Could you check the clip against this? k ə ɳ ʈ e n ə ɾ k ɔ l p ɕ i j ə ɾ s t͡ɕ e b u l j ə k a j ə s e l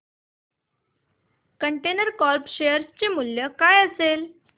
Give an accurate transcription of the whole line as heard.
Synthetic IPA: k ə ɳ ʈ e n ə ɾ k ɔ l p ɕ e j ə ɾ s t͡ɕ e m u l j ə k a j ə s e l